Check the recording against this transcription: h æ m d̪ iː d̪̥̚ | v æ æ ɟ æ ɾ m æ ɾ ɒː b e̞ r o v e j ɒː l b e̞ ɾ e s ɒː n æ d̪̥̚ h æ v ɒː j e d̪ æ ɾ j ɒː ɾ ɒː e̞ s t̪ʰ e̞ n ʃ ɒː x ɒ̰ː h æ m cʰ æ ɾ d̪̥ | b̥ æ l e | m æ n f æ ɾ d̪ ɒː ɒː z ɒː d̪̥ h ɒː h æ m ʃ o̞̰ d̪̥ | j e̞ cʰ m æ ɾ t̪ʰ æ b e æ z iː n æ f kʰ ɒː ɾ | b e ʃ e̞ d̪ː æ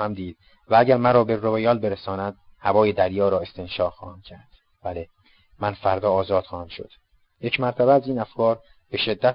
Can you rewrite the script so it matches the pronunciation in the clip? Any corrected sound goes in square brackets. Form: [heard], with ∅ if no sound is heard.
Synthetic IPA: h æ m d̪ iː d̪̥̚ | v æ æ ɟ æ ɾ m æ ɾ ɒː b e̞ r o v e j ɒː l b e̞ ɾ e s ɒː n æ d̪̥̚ h æ v ɒː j e d̪ æ ɾ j ɒː ɾ ɒː e̞ s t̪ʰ e̞ n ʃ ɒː x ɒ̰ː h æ m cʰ æ ɾ d̪̥ | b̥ æ l e | m æ n f æ ɾ d̪ ɒː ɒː z ɒː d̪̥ [x] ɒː h æ m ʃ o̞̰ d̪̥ | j e̞ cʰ m æ ɾ t̪ʰ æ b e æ z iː n æ f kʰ ɒː ɾ | b e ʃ e̞ d̪ː æ